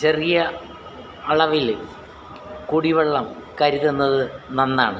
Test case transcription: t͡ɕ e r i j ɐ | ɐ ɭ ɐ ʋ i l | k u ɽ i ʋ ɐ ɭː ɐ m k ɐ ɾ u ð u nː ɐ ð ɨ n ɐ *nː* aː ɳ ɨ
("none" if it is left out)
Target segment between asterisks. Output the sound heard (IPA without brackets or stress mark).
nː